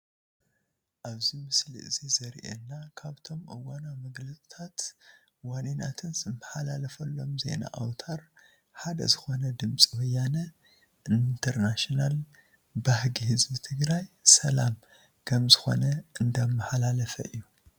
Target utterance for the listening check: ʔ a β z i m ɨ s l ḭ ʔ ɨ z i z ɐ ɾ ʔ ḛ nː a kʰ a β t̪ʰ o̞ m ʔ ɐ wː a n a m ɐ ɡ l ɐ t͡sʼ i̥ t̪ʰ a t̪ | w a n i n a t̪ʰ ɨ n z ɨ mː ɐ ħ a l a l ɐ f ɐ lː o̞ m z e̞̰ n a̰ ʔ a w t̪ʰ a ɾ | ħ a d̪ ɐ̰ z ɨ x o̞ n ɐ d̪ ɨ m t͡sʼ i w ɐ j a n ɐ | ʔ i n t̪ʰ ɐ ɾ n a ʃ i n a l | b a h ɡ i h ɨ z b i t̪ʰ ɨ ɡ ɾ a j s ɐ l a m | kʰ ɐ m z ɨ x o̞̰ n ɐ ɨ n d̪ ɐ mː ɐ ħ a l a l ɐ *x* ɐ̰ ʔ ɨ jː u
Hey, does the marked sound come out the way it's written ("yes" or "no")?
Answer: no